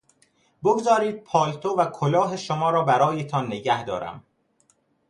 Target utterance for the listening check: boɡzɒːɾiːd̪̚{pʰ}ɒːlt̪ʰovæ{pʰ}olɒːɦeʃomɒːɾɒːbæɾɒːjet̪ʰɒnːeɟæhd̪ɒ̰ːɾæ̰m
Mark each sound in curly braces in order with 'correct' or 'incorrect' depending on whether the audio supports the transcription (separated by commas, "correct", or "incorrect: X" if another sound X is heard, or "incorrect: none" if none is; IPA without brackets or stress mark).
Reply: correct, incorrect: kʰ